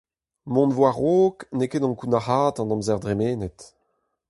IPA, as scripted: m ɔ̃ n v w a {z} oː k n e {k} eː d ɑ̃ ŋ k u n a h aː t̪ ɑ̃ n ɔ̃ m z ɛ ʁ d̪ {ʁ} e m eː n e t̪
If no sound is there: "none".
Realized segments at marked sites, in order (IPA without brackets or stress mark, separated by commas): ʁ, k, ʁ